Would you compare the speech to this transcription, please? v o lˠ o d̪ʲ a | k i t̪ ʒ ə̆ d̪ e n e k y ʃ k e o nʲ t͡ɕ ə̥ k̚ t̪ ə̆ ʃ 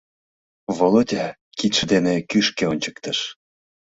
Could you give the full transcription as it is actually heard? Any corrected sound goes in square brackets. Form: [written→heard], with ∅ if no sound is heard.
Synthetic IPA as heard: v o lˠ o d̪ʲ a | k i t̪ [ʒ→ʃ] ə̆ d̪ e n e k y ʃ k e o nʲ t͡ɕ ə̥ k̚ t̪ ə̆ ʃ